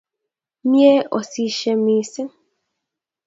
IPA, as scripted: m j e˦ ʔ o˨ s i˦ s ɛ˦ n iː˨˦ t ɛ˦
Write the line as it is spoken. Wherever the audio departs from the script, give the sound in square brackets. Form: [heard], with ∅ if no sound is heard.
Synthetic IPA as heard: m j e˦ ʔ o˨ s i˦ [ʃ] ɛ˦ [m] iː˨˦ [s] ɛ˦